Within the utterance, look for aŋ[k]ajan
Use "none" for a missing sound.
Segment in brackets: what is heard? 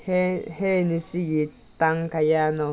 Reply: k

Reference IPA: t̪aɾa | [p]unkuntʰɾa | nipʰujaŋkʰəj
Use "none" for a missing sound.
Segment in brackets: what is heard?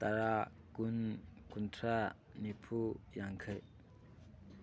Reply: k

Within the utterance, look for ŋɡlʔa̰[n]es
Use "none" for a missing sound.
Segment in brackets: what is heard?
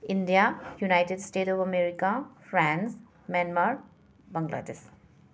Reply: d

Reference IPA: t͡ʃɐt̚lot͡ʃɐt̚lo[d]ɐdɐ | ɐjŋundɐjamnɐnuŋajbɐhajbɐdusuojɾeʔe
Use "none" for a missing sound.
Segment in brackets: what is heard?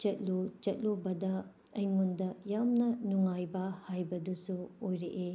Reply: b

